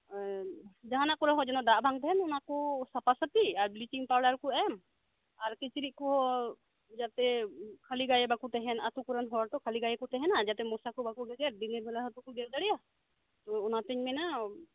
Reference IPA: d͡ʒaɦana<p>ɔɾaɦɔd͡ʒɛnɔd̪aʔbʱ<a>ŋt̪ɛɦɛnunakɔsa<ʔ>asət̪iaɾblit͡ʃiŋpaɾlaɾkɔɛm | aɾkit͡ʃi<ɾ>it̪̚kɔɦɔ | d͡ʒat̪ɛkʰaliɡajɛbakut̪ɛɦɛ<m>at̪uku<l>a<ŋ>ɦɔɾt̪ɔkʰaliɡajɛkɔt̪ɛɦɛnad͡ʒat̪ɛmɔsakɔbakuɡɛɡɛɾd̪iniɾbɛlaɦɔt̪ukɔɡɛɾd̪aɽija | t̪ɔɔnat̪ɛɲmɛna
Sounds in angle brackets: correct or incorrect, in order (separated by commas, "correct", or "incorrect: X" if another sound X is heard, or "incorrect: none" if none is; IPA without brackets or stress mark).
incorrect: k, correct, incorrect: p, correct, incorrect: n, incorrect: ɾ, incorrect: n